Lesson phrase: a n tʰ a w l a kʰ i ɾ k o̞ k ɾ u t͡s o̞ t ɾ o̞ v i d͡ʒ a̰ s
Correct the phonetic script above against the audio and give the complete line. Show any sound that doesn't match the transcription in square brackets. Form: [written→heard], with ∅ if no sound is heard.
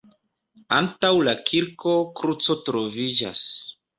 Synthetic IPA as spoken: a n [tʰ→t] a w l a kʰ i ɾ k o̞ k ɾ u t͡s o̞ t ɾ o̞ v i d͡ʒ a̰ s